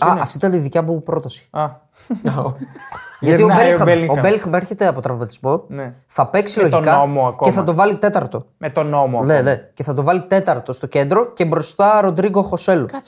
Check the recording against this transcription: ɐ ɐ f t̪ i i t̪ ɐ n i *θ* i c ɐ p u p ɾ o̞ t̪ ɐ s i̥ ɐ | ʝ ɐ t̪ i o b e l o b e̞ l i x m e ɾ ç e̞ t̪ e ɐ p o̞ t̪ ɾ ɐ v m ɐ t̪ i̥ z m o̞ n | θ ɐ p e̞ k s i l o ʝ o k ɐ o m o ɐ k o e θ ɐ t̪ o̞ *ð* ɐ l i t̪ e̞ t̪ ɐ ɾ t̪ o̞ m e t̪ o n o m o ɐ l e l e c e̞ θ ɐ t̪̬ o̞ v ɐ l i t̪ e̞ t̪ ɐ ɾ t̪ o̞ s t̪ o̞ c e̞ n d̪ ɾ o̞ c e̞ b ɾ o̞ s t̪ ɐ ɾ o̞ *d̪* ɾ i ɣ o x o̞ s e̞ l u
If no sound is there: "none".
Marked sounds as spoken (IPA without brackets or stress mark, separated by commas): ð, v, d̪